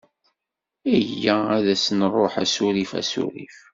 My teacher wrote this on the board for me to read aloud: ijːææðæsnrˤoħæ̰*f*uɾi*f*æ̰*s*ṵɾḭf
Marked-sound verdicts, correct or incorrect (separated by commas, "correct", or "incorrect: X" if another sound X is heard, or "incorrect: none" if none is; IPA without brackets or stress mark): incorrect: s, correct, correct